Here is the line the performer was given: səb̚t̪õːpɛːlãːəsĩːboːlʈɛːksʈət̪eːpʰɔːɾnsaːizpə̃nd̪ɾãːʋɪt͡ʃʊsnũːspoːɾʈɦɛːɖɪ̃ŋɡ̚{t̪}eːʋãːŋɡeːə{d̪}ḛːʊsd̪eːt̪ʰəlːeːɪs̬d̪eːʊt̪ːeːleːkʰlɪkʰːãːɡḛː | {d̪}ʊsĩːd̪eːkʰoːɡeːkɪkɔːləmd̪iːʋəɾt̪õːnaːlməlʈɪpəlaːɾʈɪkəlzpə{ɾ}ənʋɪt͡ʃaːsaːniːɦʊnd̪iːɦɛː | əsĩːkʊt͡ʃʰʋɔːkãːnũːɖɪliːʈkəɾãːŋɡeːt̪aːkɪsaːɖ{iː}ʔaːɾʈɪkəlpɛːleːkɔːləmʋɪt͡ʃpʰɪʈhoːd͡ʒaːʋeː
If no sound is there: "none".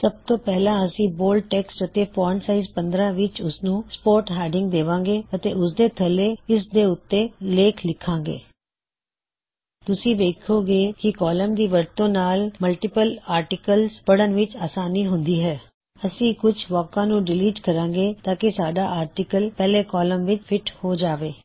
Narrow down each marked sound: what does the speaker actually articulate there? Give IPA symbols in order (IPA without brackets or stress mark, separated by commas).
d̪, t̪, t̪, ɽ, aː